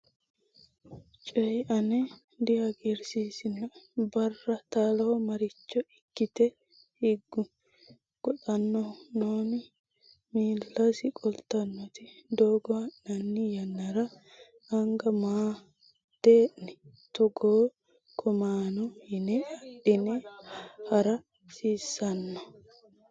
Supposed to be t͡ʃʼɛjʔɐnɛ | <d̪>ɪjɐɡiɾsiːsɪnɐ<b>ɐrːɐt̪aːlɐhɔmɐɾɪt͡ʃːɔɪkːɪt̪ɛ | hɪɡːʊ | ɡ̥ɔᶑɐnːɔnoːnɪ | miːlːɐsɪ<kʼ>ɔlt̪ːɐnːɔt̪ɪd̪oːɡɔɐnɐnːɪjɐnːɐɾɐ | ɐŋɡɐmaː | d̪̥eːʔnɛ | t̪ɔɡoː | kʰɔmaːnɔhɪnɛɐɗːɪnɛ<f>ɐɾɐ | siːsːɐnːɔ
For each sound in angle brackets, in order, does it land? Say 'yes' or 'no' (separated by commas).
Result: yes, yes, yes, no